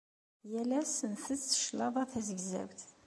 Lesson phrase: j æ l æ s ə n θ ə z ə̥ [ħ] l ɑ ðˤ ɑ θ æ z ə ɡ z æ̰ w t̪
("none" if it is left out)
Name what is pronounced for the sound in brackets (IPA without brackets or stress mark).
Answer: ʃ